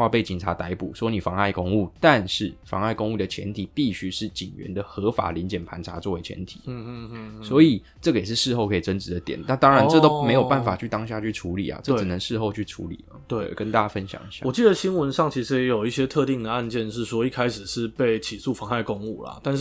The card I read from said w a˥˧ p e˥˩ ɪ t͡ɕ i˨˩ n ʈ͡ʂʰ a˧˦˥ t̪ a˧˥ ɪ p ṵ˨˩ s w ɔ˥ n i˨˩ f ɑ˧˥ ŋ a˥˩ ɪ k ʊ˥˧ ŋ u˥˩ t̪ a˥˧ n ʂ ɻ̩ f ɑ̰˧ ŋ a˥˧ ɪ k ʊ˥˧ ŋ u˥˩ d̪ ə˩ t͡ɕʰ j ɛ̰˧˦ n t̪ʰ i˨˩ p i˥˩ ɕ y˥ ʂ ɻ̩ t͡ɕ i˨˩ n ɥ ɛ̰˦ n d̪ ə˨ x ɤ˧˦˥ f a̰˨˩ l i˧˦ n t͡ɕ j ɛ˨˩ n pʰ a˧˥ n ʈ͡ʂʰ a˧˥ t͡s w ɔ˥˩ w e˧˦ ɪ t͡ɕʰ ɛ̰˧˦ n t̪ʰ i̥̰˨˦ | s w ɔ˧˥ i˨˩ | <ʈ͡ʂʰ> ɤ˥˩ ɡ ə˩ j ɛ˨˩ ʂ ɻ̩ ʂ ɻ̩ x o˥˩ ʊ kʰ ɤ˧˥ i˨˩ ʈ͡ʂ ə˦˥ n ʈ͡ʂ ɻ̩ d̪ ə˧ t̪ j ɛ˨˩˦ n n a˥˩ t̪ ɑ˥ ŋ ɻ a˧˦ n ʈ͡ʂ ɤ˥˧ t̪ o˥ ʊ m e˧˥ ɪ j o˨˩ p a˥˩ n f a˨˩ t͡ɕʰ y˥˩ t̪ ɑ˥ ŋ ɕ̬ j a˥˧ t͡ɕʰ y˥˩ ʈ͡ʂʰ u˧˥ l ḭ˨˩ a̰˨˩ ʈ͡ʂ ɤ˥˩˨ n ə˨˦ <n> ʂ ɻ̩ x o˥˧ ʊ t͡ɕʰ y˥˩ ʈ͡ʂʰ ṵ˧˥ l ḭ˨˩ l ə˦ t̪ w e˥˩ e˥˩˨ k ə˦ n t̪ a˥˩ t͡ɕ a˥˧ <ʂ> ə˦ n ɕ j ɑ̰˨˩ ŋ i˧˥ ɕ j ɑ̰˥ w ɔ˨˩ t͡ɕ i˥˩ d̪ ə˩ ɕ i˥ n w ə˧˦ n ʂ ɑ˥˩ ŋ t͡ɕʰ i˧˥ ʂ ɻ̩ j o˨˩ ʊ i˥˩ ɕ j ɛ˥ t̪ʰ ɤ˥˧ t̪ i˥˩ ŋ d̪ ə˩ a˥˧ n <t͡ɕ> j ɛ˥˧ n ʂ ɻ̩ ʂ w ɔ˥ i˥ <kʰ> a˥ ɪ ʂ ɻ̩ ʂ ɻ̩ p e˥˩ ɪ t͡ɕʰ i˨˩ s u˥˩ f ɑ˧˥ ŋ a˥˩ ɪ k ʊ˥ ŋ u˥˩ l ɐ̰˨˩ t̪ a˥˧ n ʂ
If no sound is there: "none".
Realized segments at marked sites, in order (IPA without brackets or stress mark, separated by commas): ʈ͡ʂ, ŋ, f, t͡ɕ, kʰ